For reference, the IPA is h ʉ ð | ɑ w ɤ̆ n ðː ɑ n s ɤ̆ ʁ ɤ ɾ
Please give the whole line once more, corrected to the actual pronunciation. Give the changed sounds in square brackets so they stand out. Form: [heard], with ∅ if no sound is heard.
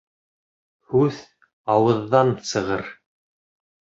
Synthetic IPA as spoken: h ʉ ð | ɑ w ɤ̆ [∅] ðː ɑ n s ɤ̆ ʁ ɤ ɾ